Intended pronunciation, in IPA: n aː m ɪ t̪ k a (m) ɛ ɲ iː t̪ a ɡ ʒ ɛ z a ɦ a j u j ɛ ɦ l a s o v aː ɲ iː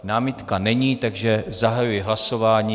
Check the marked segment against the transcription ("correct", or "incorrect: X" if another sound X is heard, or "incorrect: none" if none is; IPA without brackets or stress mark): incorrect: n